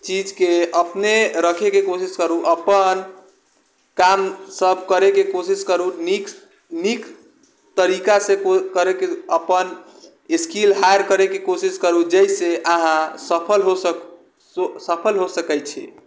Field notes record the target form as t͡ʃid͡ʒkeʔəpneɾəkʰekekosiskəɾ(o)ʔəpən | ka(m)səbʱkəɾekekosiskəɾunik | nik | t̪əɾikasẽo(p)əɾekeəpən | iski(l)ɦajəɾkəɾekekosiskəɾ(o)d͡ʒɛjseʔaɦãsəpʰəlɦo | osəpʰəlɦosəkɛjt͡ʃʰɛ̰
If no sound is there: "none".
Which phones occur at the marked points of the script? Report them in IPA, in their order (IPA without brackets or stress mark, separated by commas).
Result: u, m, k, l, u